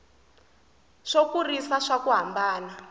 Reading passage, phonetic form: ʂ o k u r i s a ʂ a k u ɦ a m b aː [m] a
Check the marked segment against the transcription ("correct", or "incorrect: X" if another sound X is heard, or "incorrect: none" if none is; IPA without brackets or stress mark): incorrect: n